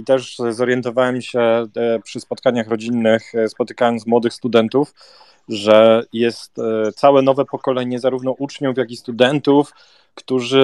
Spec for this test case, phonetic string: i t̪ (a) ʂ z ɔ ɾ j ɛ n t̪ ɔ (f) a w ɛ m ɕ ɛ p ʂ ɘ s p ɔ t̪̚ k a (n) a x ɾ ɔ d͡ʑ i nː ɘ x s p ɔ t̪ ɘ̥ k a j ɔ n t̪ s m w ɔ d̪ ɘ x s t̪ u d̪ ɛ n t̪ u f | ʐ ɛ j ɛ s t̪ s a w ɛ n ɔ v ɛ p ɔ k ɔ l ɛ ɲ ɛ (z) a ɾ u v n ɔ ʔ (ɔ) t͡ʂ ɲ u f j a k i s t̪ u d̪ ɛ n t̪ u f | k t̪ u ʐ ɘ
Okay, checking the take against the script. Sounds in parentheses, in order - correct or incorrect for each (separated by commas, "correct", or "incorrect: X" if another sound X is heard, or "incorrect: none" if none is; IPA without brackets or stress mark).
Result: incorrect: ɛ, incorrect: v, incorrect: ɲ, correct, incorrect: u